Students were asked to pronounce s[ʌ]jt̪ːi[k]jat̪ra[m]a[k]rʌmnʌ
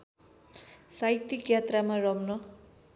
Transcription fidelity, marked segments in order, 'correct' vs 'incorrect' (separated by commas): incorrect, correct, correct, incorrect